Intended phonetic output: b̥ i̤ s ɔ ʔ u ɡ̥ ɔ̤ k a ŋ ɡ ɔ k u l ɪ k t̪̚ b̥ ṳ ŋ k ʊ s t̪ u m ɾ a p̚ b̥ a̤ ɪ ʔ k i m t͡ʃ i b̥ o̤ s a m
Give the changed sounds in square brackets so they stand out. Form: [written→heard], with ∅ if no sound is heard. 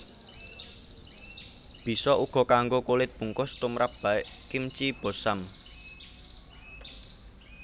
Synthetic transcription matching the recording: b̥ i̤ s ɔ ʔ u ɡ̥ ɔ̤ k a ŋ ɡ [ɔ→o] k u l ɪ [k→∅] t̪̚ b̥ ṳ ŋ k ʊ s t̪ u m ɾ a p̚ b̥ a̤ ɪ ʔ k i m t͡ʃ i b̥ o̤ s a m